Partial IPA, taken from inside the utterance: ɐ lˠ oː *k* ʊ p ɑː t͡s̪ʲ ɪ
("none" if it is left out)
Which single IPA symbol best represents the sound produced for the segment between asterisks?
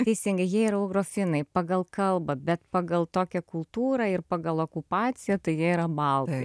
k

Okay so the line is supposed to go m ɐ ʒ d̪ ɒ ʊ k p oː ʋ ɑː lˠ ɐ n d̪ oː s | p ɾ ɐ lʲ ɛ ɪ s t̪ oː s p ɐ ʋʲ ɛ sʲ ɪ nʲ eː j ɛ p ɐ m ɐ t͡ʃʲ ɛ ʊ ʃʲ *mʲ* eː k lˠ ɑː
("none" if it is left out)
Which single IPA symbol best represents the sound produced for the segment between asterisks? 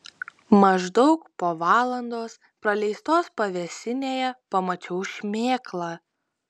mʲ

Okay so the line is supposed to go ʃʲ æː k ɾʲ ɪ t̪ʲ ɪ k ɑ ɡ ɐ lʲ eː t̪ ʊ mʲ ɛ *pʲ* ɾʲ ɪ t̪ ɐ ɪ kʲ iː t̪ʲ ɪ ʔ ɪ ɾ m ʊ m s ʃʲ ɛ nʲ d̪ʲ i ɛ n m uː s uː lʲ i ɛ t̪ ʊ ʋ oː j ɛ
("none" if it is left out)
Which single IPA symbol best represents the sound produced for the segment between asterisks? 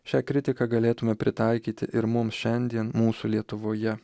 pʲ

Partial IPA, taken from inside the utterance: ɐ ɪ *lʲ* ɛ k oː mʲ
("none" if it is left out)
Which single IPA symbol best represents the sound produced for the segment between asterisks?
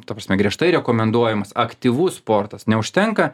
ɾʲ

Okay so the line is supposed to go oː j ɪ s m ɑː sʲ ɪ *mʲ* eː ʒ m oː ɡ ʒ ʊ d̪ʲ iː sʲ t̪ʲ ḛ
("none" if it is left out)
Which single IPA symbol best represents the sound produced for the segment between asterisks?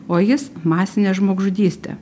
nʲ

